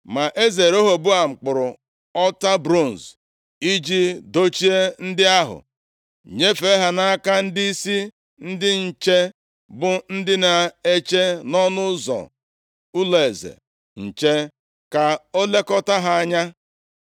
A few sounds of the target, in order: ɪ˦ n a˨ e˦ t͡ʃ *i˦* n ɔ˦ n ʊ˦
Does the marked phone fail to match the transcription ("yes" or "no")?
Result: yes